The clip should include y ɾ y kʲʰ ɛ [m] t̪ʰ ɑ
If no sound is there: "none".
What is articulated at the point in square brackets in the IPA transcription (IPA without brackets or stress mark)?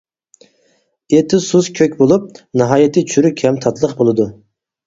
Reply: m